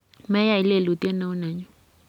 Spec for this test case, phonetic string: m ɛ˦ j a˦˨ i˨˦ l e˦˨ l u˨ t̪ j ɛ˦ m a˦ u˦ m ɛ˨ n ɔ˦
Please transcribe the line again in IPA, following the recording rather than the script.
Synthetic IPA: m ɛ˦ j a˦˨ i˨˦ l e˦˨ l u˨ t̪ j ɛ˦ n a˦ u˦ n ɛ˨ ɲ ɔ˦